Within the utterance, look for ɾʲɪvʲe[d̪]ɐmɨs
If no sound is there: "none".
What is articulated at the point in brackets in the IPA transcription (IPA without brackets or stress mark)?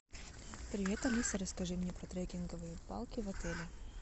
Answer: t̪